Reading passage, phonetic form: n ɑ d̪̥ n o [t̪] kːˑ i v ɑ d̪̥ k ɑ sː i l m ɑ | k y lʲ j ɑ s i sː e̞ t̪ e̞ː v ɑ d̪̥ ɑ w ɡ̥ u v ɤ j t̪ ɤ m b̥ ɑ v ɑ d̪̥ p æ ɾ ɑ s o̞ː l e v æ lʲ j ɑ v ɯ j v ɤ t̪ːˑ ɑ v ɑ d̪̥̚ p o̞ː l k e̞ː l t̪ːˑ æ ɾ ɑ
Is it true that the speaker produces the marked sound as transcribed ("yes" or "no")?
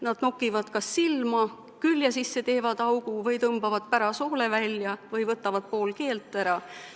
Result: no